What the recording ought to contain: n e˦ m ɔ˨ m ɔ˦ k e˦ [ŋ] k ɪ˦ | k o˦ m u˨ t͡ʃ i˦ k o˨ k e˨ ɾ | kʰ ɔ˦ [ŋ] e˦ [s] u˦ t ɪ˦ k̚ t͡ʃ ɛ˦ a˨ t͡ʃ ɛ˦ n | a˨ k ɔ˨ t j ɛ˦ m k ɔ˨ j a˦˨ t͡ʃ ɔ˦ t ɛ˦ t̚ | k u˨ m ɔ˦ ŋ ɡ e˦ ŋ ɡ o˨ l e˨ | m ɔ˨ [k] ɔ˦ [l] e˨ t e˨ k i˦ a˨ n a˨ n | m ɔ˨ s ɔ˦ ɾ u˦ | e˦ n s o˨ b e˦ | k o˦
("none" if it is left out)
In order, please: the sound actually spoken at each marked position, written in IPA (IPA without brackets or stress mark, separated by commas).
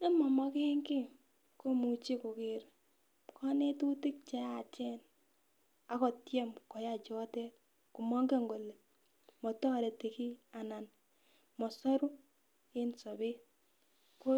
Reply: ŋ, n, t, t, ɾ